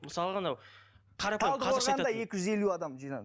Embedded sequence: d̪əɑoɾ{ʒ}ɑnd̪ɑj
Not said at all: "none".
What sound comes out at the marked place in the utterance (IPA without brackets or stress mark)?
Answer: ʁ